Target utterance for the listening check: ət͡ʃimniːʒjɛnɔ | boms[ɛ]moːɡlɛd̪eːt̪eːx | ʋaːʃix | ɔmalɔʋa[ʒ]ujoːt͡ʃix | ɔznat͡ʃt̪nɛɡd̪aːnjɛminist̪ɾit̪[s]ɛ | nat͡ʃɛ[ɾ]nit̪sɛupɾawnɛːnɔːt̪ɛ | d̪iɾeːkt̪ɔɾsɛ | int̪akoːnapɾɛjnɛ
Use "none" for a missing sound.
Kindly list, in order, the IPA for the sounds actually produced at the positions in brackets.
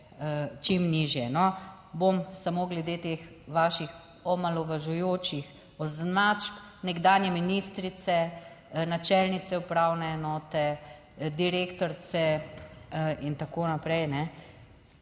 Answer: a, ʒ, s, l

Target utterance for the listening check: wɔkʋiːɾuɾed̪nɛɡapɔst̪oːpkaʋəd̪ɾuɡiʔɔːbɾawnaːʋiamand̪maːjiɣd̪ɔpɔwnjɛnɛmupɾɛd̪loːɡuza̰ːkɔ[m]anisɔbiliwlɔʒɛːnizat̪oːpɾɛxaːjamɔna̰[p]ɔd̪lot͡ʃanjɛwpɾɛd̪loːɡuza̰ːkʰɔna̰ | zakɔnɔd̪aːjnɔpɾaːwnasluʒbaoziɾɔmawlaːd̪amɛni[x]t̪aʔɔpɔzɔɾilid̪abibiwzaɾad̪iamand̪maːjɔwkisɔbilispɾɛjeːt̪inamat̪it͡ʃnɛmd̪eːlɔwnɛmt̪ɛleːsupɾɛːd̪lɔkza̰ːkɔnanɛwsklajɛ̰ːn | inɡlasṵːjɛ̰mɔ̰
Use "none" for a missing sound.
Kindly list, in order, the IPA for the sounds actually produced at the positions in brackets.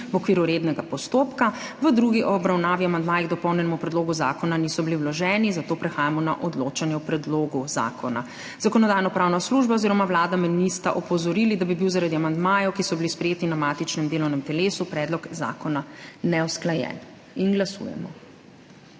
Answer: n, ʔ, s

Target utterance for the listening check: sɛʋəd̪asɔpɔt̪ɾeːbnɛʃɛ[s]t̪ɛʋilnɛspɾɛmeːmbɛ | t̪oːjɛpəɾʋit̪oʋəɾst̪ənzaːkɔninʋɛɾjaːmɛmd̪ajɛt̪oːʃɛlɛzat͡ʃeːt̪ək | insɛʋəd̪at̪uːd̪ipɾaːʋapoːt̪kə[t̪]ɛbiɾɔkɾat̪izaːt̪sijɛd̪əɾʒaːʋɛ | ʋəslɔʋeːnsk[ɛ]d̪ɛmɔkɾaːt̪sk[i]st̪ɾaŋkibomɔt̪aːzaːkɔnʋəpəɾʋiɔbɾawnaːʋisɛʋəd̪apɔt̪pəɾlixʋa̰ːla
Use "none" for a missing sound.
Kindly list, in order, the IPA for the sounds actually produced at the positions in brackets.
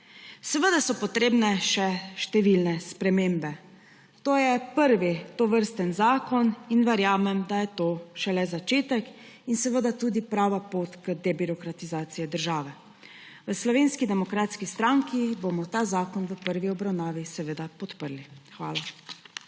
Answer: ʃ, d̪, i, i

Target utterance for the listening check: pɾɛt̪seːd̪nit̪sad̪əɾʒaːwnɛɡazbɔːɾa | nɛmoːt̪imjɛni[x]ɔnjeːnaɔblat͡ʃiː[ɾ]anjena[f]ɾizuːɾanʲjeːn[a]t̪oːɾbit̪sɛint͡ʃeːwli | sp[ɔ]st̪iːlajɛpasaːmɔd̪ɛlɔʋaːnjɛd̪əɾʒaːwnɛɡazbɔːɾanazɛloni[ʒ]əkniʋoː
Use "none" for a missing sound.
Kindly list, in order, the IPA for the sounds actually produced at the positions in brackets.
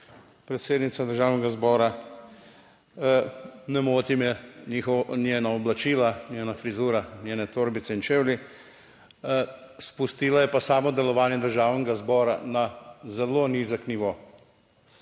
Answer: x, l, f, ɛ, u, z

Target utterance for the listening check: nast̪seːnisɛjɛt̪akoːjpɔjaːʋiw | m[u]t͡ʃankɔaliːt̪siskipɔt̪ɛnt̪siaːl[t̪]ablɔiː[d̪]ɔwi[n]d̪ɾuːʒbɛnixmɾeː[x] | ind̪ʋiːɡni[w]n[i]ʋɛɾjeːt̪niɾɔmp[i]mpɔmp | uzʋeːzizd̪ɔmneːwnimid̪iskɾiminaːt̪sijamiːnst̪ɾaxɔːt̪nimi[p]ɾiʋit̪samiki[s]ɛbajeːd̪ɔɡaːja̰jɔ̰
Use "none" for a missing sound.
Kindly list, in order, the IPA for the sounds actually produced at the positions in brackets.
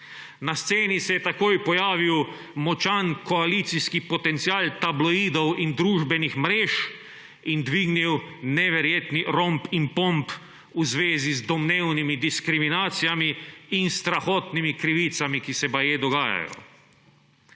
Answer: ɔ, t̪, d̪, n, ʃ, w, ɛ, i, k, s

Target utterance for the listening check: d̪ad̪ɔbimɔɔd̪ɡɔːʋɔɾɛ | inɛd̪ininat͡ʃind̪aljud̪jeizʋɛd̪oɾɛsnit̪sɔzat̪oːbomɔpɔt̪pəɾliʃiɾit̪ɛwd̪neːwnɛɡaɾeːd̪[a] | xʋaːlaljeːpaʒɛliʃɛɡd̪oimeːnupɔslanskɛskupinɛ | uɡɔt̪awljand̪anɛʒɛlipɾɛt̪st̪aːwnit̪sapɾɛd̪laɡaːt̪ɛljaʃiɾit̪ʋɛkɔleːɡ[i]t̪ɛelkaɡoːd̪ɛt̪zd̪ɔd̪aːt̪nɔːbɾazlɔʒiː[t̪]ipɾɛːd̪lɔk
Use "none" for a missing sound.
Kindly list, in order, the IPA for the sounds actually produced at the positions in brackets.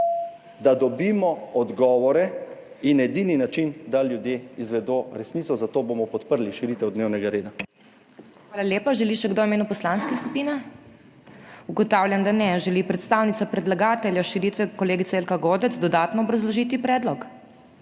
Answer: a, i, t̪

